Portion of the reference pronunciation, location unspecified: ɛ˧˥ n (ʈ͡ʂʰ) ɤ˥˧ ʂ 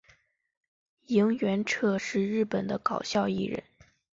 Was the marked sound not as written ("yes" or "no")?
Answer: no